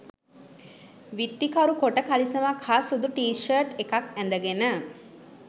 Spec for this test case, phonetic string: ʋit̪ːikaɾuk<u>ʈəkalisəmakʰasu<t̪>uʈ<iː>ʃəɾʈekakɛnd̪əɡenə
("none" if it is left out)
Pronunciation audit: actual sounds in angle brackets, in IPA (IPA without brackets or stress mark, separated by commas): o, d̪, iː